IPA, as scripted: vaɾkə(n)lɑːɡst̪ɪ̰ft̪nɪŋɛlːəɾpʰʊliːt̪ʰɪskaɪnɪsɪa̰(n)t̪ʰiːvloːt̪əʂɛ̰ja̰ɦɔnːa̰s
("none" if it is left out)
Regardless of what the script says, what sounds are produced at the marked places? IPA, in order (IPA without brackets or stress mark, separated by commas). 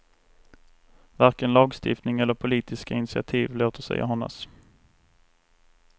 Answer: n, none